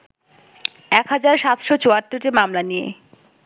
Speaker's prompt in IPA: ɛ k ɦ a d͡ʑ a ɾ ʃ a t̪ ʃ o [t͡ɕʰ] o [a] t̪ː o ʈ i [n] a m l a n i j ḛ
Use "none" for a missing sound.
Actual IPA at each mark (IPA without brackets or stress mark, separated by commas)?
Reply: t͡ɕ, a, m